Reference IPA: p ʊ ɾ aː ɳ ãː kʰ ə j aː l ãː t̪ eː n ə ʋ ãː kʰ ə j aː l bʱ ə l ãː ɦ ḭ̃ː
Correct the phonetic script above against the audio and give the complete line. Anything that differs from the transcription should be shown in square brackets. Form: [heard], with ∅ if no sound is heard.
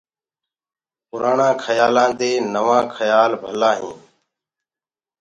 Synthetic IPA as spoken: p ʊ ɾ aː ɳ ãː kʰ ə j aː l ãː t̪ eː n ə ʋ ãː kʰ ə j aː l bʱ ə l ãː ɦ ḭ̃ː